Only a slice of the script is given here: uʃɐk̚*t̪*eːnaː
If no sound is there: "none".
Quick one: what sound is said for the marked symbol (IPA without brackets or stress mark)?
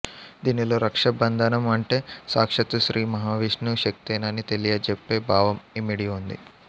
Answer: t̪